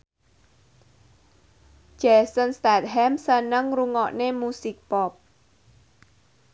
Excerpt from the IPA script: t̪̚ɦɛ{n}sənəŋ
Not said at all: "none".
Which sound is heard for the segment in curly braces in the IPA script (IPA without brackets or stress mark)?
m